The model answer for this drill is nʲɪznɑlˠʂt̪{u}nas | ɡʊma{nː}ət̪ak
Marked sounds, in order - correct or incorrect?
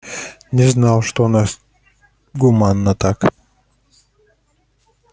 incorrect: o, correct

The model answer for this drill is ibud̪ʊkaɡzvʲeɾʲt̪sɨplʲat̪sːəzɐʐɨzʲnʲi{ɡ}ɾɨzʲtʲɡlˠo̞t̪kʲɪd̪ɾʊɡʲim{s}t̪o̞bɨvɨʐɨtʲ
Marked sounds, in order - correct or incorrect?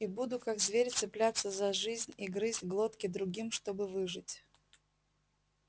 correct, incorrect: ʂ

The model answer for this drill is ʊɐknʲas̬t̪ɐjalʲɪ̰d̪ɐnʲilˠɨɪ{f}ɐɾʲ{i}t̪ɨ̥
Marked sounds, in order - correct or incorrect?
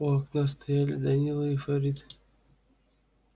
correct, correct

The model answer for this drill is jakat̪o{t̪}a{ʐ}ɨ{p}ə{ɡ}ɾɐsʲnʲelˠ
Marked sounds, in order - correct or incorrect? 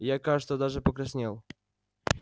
incorrect: d̪, correct, correct, incorrect: k

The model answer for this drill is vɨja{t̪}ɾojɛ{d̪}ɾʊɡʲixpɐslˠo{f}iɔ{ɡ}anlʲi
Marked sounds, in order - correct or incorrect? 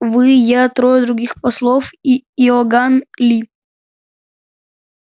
correct, correct, correct, correct

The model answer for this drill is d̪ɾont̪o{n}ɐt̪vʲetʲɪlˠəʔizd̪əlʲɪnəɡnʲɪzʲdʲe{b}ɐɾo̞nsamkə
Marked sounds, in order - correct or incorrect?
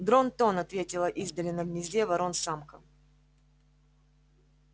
correct, incorrect: v

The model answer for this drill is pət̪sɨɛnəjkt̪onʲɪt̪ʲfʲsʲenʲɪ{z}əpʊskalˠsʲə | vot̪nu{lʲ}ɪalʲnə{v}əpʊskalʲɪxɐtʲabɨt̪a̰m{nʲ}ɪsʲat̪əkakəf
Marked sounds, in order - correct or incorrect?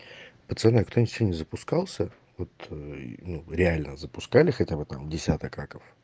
correct, incorrect: ɾʲ, incorrect: z, incorrect: dʲ

